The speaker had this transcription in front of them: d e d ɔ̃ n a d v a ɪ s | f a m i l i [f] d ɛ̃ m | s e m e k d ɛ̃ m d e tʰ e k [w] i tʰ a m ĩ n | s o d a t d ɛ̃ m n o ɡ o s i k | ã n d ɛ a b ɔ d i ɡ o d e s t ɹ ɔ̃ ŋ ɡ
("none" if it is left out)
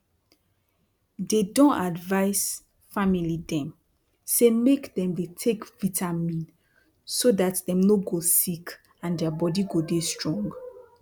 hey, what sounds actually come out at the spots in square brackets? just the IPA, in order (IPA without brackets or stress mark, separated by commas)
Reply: none, v